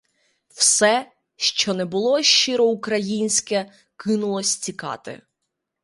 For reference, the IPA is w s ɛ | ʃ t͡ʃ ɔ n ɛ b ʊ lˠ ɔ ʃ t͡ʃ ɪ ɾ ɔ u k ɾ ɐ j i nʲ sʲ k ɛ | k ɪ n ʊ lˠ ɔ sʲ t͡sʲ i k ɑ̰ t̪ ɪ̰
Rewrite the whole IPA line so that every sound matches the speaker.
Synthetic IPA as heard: w s ɛ | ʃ t͡ʃ ɔ n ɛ b ʊ lˠ ɔ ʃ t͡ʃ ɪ ɾ ɔ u k ɾ ɐ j i nʲ sʲ k ɛ | k ɪ n ʊ lˠ ɔ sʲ t͡sʲ i k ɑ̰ t̪ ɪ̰